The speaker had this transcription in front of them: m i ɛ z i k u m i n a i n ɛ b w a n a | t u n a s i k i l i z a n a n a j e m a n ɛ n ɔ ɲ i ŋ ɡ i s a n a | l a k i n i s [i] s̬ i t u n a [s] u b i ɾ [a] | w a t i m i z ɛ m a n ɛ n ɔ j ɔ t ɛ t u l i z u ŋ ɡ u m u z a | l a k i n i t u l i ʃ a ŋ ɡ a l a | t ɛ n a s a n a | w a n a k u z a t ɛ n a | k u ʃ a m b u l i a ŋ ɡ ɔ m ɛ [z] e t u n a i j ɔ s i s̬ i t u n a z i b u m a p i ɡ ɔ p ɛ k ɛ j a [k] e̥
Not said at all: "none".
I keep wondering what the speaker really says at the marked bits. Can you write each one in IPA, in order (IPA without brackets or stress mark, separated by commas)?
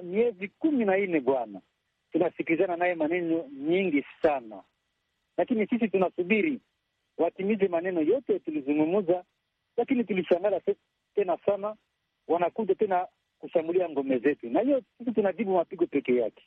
i, s, i, z, k